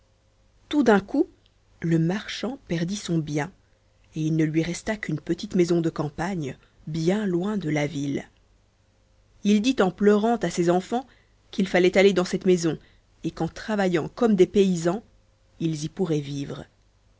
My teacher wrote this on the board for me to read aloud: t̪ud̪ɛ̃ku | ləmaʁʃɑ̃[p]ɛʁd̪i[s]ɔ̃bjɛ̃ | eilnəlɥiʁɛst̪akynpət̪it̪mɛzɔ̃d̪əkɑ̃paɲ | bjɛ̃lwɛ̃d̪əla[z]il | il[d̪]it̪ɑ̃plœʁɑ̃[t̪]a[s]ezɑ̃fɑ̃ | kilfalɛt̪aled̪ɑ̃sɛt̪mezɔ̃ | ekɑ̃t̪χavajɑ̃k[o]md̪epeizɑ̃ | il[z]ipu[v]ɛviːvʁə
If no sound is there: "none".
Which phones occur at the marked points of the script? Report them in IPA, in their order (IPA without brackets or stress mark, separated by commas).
p, s, v, d̪, t̪, s, ɔ, z, ʁ